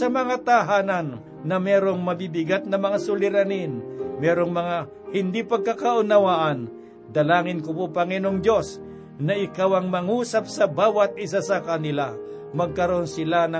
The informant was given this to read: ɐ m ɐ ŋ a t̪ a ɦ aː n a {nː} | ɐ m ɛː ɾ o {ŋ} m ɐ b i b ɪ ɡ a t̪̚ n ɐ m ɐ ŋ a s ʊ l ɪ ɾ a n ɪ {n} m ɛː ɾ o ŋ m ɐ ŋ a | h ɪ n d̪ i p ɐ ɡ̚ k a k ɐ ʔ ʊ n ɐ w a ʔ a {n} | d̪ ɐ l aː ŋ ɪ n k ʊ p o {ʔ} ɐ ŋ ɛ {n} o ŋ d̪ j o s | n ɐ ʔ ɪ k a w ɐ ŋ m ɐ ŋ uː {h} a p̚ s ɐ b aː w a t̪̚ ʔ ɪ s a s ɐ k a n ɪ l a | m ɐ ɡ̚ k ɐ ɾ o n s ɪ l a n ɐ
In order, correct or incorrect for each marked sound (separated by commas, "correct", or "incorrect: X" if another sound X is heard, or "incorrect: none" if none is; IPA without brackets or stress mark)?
correct, correct, correct, correct, incorrect: p, correct, incorrect: s